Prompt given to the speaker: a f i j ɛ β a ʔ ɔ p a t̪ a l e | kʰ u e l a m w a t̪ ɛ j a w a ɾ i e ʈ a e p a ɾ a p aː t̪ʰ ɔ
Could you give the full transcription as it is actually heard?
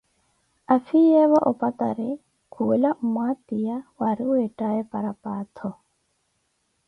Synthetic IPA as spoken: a f i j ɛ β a ʔ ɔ p a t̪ a ɾ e | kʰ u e l a m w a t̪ i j a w a ɾ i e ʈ a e p a ɾ a p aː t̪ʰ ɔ